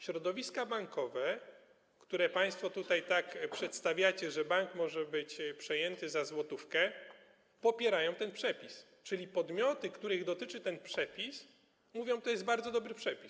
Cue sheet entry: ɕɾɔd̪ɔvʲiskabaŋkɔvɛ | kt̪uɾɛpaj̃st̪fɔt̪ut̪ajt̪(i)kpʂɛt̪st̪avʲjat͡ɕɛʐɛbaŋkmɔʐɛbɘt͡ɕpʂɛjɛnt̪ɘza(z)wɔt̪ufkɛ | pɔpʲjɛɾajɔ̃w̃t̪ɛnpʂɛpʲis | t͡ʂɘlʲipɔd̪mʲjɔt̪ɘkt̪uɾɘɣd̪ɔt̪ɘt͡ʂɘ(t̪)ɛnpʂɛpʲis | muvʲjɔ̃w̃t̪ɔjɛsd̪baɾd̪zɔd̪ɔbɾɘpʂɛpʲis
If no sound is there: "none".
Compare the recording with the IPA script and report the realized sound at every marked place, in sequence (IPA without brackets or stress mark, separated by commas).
a, z, t̪